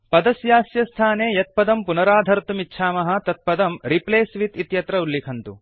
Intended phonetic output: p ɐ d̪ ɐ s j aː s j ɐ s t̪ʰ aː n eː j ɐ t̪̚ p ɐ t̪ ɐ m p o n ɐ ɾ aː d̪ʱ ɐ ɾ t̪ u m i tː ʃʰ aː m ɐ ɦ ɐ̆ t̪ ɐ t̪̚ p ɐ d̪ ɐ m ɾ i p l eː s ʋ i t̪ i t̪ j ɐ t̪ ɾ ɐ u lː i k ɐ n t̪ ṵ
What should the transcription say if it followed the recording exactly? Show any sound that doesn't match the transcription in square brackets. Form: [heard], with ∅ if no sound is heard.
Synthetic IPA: p ɐ d̪ ɐ s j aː s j ɐ s t̪ʰ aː n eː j ɐ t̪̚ p ɐ [d̪] ɐ m p [u] n ɐ ɾ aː d̪ʱ ɐ ɾ t̪ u m i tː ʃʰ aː m ɐ ɦ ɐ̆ t̪ ɐ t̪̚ p ɐ d̪ ɐ m ɾ i p l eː s ʋ i t̪ i t̪ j ɐ t̪ ɾ ɐ u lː i [kʰ] ɐ n t̪ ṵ